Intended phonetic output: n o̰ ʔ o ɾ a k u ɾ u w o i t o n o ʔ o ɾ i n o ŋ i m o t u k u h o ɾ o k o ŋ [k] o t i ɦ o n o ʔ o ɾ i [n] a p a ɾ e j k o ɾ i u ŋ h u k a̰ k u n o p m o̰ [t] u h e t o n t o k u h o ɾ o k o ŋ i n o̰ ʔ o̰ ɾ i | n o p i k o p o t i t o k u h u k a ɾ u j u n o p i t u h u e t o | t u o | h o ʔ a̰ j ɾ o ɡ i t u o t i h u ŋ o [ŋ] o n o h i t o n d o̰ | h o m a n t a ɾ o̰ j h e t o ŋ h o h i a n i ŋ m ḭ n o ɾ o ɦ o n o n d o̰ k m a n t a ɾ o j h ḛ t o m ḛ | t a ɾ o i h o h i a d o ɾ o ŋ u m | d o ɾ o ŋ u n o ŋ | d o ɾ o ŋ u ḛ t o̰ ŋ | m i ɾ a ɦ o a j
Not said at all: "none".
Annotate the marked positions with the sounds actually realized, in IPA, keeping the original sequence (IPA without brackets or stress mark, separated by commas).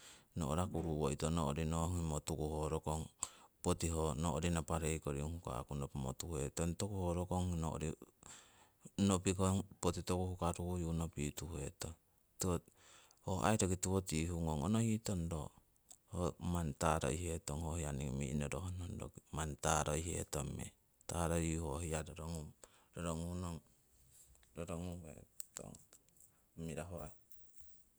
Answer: p, n, t, ŋ